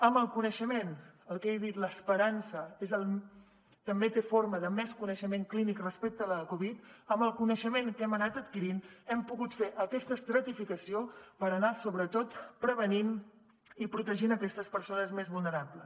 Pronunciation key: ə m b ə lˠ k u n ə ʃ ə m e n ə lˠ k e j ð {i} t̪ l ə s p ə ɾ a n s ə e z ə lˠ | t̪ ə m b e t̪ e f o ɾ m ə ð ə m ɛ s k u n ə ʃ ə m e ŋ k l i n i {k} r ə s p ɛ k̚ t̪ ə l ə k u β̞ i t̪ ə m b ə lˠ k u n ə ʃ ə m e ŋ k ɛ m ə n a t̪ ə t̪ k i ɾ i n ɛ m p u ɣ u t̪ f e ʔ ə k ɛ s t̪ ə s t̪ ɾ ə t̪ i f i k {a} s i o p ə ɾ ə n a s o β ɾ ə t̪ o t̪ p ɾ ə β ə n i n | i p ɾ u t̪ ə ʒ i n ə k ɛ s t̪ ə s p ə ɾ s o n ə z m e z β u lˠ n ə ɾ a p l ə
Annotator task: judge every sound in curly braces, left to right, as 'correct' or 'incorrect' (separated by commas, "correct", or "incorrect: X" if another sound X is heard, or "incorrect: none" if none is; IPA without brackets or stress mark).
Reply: correct, correct, incorrect: ə